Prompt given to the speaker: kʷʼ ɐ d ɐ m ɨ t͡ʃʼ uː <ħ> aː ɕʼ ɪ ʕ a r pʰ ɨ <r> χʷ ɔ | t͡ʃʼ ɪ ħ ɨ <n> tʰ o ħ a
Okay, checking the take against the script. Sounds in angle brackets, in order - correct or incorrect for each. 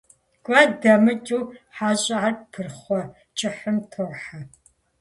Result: correct, correct, incorrect

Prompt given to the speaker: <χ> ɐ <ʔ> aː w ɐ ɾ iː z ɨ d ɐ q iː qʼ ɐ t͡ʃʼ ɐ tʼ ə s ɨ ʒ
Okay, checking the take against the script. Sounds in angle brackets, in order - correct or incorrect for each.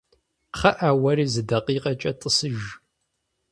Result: correct, correct

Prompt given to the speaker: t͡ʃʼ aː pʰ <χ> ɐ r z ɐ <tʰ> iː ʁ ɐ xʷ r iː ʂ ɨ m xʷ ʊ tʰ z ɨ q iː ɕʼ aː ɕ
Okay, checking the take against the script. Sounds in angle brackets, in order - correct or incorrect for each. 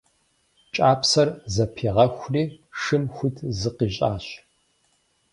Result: incorrect, incorrect

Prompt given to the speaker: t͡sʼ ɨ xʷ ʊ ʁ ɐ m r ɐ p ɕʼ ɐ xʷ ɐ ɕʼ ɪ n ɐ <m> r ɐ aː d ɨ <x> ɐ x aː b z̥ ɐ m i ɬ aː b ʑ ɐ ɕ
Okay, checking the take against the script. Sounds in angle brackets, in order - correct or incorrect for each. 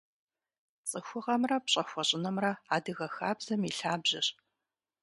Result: correct, incorrect

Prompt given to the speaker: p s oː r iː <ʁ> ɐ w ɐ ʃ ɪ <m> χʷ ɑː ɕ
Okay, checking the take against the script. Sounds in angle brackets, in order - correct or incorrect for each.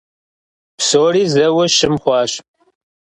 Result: incorrect, correct

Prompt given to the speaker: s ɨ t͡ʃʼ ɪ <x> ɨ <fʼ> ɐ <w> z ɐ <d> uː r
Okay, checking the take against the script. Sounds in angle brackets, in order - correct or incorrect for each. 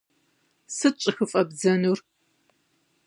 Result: correct, correct, incorrect, incorrect

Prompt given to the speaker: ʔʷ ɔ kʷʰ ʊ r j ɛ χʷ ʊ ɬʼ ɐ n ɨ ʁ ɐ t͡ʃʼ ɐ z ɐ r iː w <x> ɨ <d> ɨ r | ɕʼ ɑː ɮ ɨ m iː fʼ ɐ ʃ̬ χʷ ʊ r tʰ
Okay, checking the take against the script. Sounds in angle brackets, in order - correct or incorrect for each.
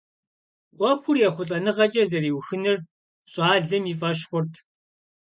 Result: correct, incorrect

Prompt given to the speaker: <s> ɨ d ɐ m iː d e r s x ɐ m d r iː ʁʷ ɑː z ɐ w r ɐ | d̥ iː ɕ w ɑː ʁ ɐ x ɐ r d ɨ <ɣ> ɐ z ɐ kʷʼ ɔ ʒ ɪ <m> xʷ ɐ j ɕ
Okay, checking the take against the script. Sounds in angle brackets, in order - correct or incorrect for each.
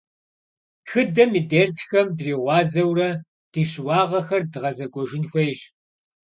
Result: incorrect, incorrect, incorrect

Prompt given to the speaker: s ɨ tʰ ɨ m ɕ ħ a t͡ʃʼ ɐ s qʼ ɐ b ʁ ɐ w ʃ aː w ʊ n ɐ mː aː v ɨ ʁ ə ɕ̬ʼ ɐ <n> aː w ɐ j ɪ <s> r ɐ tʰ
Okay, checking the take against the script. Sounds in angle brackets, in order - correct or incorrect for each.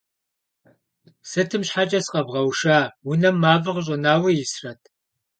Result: correct, correct

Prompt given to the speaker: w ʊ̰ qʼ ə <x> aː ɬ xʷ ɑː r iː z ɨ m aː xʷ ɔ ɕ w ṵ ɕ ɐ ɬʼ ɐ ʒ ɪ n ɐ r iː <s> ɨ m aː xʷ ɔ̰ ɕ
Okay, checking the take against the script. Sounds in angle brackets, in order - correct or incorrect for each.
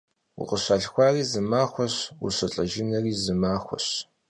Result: incorrect, incorrect

